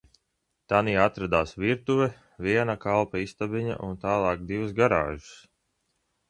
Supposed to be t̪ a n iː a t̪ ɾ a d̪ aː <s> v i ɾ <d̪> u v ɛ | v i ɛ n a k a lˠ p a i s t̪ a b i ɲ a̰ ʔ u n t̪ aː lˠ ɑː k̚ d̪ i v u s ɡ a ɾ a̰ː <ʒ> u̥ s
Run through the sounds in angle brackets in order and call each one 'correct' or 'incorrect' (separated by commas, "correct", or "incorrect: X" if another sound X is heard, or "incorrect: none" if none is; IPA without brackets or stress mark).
correct, incorrect: t̪, correct